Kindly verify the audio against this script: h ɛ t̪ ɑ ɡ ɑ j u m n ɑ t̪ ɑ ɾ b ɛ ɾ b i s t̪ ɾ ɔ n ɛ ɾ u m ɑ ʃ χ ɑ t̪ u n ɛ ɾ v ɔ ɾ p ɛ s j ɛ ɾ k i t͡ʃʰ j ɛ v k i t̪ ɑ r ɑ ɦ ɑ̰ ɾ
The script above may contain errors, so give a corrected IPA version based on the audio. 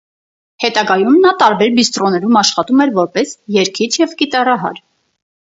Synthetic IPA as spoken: h ɛ t̪ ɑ ɡ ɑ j u m n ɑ t̪ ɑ ɾ b ɛ ɾ b i s t̪ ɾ ɔ n ɛ ɾ u m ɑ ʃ χ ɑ t̪ u m ɛ ɾ v ɔ ɾ p ɛ s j ɛ ɾ kʰ i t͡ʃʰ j ɛ v k i t̪ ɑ r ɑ ɦ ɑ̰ ɾ